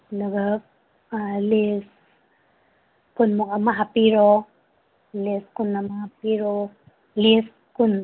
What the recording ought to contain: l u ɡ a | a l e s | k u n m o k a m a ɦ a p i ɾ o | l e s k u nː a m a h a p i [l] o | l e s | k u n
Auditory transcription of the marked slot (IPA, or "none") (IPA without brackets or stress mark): ɾ